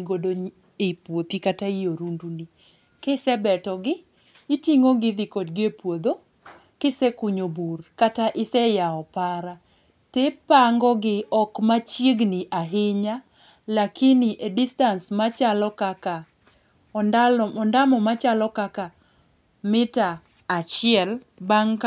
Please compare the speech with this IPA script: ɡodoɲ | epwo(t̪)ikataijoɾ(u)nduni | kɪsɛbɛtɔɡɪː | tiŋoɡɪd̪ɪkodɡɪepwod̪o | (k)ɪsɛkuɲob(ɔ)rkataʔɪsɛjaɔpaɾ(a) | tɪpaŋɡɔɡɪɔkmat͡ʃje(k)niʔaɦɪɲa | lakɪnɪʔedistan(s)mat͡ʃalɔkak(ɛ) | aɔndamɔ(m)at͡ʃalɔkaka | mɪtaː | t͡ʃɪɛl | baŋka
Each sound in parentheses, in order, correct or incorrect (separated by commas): correct, correct, correct, incorrect, correct, incorrect, correct, incorrect, correct